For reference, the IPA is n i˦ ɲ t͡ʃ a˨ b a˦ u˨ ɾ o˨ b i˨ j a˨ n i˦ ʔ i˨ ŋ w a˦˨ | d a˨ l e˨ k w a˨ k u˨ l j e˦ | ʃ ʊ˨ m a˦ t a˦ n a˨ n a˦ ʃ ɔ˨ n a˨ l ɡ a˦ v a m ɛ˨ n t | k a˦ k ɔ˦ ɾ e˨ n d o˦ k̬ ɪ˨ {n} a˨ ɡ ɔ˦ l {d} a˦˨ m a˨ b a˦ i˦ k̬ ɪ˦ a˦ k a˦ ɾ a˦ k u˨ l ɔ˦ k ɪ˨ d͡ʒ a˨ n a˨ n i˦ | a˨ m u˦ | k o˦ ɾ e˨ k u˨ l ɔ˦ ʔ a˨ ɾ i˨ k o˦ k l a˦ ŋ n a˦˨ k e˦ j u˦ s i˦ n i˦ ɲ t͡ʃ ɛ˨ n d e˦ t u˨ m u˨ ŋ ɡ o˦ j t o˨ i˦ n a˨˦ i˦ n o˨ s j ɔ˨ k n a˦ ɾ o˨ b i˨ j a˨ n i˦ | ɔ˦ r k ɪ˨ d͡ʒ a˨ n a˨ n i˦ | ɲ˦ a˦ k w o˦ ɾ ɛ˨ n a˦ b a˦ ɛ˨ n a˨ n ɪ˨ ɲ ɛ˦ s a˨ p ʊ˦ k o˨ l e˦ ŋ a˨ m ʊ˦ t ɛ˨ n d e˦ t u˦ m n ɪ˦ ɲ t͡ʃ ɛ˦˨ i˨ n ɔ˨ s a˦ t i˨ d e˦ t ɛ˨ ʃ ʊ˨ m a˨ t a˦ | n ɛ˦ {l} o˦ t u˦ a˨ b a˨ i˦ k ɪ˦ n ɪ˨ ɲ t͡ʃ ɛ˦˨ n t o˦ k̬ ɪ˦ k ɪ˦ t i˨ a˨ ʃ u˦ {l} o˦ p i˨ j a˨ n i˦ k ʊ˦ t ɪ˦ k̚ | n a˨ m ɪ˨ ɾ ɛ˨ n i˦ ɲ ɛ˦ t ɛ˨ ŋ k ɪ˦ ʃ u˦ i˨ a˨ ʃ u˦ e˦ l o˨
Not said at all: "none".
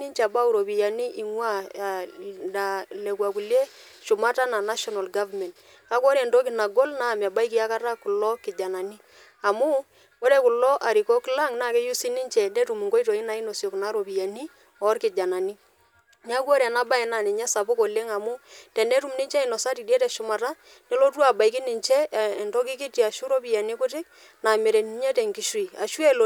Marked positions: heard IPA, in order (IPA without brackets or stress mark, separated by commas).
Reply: n, n, l, ɾ